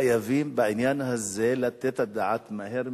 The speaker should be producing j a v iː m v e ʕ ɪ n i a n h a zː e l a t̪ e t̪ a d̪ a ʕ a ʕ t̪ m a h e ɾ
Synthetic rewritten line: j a v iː m b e ʕ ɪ n j a n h a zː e l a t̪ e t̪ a d̪ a ʕ a t̪ m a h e ɾ